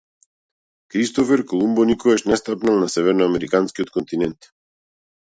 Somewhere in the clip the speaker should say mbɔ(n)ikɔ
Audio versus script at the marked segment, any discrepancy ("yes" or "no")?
no